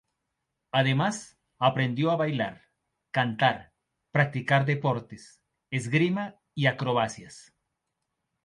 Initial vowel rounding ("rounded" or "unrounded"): unrounded